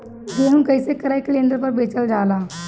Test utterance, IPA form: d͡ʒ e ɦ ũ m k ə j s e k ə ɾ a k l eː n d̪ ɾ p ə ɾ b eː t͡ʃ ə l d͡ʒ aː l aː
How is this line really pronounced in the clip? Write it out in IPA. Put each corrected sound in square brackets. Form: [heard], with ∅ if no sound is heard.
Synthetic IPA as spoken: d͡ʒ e ɦ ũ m k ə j s e k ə ɾ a k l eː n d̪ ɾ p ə ɾ b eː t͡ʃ ə l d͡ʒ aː l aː